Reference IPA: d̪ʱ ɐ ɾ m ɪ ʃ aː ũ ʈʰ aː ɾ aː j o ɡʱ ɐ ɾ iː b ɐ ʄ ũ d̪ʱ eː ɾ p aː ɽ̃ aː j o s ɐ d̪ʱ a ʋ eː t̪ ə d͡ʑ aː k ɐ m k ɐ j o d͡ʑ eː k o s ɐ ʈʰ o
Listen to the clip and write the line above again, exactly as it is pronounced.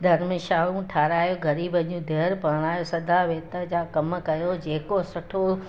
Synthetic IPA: d̪ʱ ɐ ɾ m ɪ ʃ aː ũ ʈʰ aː ɾ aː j o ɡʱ ɐ ɾ iː b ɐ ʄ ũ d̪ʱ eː ɾ p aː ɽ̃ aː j o s ɐ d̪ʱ a ʋ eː t̪ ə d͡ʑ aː k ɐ m k ɐ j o d͡ʑ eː k o s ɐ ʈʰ o